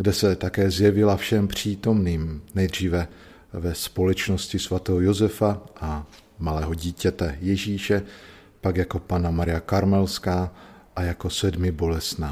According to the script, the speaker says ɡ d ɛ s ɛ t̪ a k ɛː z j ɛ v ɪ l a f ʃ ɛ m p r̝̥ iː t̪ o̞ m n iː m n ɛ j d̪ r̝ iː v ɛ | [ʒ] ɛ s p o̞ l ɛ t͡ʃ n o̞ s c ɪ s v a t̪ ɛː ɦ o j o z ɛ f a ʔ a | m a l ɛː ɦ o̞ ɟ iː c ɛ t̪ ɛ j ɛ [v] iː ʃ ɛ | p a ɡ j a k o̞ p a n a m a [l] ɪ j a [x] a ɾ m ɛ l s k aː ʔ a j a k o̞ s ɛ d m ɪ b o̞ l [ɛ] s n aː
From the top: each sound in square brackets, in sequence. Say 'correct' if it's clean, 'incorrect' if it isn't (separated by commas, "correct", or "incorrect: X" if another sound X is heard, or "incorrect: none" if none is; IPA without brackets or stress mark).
incorrect: v, incorrect: ʒ, incorrect: ɾ, incorrect: k, correct